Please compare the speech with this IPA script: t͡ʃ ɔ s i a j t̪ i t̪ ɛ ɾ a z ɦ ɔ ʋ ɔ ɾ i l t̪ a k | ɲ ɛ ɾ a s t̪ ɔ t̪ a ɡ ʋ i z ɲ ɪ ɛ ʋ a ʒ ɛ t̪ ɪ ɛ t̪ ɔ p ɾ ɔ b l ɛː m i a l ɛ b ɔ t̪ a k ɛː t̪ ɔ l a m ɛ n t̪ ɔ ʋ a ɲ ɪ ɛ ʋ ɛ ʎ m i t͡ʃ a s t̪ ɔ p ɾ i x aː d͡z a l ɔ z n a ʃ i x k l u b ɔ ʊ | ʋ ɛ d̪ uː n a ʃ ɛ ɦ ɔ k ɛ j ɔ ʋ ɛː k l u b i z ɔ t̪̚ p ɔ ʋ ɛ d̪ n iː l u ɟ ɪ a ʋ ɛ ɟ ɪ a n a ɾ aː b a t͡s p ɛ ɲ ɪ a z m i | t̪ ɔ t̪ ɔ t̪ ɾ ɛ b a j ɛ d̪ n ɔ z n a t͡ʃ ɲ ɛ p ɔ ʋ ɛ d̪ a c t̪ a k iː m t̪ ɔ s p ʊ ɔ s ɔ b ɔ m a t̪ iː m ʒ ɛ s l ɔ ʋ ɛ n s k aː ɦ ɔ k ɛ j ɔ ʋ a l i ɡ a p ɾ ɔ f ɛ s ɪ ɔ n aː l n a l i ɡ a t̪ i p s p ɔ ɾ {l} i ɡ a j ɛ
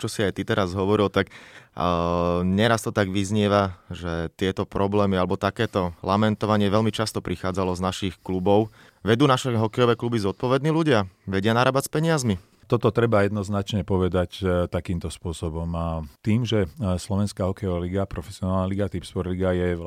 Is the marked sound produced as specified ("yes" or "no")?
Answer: yes